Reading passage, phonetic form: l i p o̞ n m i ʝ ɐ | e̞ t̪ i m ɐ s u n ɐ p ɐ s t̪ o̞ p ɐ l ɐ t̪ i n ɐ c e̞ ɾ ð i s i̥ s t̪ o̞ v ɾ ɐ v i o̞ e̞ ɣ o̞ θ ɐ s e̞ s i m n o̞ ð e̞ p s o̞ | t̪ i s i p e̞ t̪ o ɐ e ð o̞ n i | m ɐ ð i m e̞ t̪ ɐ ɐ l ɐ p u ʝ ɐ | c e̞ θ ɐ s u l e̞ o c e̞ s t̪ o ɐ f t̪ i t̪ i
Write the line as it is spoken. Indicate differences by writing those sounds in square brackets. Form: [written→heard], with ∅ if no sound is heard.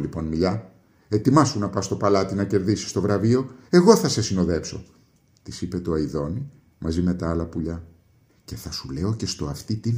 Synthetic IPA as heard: l i p o̞ n m i [ʝ→ʎ] ɐ | e̞ t̪ i m ɐ s u n ɐ p ɐ s t̪ o̞ p ɐ l ɐ t̪ i n ɐ c e̞ ɾ ð i s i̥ s t̪ o̞ v ɾ ɐ v i o̞ e̞ ɣ o̞ θ ɐ s e̞ s i [m→∅] n o̞ ð e̞ p s o̞ | t̪ i s i p e̞ t̪ o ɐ [e→i] ð o̞ n i | m ɐ [ð→z] i m e̞ t̪ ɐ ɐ l ɐ p u [ʝ→ʎ] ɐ | c e̞ θ ɐ s u l e̞ o c e̞ s t̪ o ɐ f t̪ i t̪ i